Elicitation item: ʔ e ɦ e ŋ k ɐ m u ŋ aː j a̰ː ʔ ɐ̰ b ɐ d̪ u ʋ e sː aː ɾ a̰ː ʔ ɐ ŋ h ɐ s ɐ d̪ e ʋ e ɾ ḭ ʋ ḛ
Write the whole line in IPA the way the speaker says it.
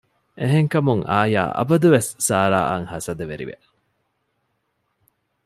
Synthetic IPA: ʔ e ɦ e ŋ k ɐ m u ŋ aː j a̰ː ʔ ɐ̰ b ɐ d̪ u ʋ e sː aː ɾ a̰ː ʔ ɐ ŋ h ɐ s ɐ d̪ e ʋ e ɾ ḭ ʋ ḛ